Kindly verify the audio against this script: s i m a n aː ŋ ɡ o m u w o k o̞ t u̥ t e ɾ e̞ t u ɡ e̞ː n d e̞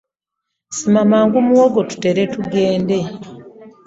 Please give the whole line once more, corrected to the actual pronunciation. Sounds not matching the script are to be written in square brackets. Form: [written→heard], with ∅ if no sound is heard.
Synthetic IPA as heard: s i m a [n→m] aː ŋ ɡ [o→u] m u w o [k→ɡ] o̞ t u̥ t e ɾ e̞ t u ɡ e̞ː n d e̞